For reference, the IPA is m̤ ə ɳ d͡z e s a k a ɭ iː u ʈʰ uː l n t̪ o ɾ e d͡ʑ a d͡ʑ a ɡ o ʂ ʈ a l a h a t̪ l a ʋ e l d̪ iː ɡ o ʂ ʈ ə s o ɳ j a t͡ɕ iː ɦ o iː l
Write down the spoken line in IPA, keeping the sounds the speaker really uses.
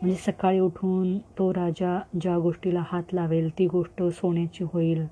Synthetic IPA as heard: m̤ ə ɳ d͡z e s ə k a ɭ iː u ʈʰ uː n t̪ o ɾ a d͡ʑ a d͡ʑ a ɡ o ʂ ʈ i l a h a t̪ l a ʋ e l t̪ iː ɡ o ʂ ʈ ə s o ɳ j a t͡ɕ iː ɦ o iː l